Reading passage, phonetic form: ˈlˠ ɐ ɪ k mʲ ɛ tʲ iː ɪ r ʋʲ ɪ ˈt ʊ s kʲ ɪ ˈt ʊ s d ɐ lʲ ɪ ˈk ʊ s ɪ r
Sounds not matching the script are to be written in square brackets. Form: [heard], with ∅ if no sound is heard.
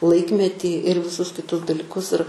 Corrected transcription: ˈlˠ ɐ ɪ k mʲ ɛ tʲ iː ɪ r ʋʲ ɪ [ˈs] ʊ s kʲ ɪ ˈt ʊ s d ɐ lʲ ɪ ˈk ʊ s ɪ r

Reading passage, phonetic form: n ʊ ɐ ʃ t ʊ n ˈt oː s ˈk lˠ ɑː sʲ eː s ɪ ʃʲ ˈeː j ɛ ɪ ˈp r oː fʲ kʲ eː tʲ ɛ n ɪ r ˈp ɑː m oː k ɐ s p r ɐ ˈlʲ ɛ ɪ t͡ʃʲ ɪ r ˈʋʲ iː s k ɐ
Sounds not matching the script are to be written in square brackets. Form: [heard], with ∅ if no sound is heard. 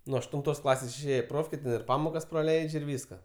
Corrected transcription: n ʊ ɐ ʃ t ʊ n ˈt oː s ˈk lˠ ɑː sʲ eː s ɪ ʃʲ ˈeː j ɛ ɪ ˈp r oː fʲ kʲ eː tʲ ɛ n ɪ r ˈp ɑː m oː k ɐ s p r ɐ ˈlʲ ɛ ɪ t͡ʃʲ ɪ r ˈʋʲ iː s k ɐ

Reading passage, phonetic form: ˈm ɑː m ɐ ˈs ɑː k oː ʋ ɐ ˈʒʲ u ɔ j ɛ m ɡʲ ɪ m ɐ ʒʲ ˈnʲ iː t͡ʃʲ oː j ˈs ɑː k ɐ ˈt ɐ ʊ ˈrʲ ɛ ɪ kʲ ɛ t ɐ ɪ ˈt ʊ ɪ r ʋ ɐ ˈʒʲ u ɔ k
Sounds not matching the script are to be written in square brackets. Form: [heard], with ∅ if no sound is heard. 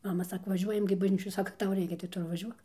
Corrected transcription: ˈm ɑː m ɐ ˈs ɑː k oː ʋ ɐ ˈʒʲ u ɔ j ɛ m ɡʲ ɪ [b] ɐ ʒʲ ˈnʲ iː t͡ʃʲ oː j ˈs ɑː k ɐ ˈt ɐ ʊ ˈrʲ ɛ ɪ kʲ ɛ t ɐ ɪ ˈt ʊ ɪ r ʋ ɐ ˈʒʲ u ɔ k

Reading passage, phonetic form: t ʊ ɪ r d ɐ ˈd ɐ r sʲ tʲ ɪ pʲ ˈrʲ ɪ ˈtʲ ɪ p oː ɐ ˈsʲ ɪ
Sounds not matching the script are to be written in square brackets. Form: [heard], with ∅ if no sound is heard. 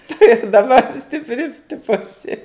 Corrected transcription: t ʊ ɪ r d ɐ [ˈb] ɐ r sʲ tʲ ɪ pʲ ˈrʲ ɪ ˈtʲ ɪ p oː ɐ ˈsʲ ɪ

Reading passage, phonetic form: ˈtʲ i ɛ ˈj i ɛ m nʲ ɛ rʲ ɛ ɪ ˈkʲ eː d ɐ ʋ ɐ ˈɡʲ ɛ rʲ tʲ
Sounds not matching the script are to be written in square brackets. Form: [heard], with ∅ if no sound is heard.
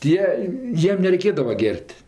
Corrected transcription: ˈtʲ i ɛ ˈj i ɛ m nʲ ɛ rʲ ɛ ɪ ˈkʲ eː d ɐ ʋ ɐ ˈɡʲ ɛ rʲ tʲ

